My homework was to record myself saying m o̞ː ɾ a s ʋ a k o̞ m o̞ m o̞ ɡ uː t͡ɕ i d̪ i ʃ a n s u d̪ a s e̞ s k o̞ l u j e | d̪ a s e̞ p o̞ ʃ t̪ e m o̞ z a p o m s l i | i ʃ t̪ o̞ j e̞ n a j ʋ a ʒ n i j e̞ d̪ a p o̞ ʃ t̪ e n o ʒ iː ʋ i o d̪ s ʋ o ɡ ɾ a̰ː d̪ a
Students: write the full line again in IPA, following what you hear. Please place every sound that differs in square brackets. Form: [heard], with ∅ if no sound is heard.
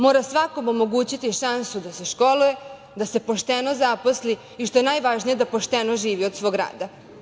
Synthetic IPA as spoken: m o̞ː ɾ a s ʋ a k o̞ m o̞ m o̞ ɡ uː t͡ɕ i [t̪] i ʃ a n s u d̪ a s e̞ [ʃ] k o̞ l u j e | d̪ a s e̞ p o̞ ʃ t̪ e [n] o̞ z a p o [∅] s l i | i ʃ t̪ o̞ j e̞ n a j ʋ a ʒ n i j e̞ d̪ a p o̞ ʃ t̪ e n o ʒ iː ʋ i o d̪ s ʋ o ɡ ɾ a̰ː d̪ a